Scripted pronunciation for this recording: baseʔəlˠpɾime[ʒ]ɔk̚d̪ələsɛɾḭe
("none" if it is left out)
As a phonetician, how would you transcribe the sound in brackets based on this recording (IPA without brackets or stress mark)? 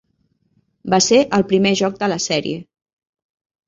ʒ